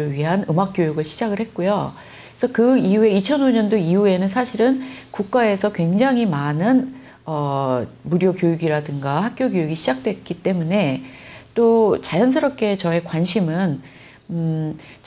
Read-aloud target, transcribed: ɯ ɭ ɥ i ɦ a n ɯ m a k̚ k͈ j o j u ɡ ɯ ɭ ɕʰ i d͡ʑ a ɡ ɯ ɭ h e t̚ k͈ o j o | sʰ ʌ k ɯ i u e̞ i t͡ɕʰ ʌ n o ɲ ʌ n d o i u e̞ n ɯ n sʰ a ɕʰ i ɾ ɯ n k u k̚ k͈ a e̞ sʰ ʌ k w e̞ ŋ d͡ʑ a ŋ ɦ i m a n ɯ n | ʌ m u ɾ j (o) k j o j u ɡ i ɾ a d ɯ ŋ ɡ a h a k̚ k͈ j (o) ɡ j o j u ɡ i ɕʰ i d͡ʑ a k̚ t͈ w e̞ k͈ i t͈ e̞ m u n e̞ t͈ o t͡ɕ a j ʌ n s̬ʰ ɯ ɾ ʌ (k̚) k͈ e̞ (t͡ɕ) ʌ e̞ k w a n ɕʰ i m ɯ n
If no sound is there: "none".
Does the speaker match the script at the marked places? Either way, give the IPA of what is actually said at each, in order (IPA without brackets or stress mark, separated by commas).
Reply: o, o, p̚, t͡ɕ